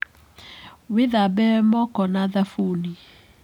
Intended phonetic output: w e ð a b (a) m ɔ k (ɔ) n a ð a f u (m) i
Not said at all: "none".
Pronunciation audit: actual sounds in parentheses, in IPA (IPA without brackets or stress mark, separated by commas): ɛ, ɔ, n